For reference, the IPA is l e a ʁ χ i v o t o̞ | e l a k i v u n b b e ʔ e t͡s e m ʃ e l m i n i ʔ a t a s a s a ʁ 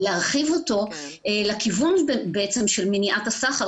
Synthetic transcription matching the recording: l e a ʁ χ i v o t o̞ | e l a k i v u n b b e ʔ e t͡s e m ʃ e l m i n i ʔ a t a s a χ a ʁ